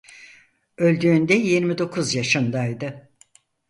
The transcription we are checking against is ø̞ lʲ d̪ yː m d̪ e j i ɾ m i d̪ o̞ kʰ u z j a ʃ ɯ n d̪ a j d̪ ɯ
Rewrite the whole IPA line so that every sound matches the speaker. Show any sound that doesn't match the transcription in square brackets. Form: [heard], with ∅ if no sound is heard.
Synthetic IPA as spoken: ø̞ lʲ d̪ yː [n] d̪ [ɛ] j i ɾ m i d̪ o̞ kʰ u z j a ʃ ɯ n d̪ a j d̪ ɯ

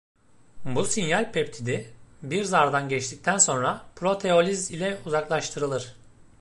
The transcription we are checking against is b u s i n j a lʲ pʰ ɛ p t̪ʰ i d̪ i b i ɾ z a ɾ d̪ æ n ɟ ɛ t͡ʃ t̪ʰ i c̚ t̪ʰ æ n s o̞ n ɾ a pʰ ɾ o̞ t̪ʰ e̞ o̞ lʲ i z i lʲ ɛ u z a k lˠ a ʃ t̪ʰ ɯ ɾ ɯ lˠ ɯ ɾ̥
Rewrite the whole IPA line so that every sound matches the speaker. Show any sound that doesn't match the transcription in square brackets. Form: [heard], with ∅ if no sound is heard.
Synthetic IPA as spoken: b u s i n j a lʲ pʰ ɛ p t̪ʰ i d̪ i b i ɾ z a ɾ d̪ [a] n ɟ ɛ t͡ʃ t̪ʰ i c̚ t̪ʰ æ n s o̞ n ɾ a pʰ ɾ o̞ t̪ʰ e̞ o̞ lʲ i z i lʲ ɛ u z a k lˠ a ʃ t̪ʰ ɯ ɾ ɯ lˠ ɯ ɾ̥

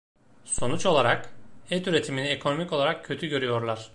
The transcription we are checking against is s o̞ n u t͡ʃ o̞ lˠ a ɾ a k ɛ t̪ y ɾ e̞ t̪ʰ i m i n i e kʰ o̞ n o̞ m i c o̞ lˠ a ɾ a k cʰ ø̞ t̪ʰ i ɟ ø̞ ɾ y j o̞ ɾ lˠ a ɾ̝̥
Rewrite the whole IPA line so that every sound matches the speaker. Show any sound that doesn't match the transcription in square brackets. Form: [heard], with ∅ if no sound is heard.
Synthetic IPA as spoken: s o̞ n u t͡ʃ o̞ lˠ a ɾ a k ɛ t̪ y ɾ e̞ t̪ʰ i m i n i e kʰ o̞ n o̞ m i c o̞ lˠ a ɾ a k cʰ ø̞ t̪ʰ [y] ɟ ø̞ ɾ y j o̞ ɾ lˠ a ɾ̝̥

